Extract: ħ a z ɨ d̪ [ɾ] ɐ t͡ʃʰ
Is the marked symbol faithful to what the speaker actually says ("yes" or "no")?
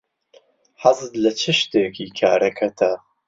no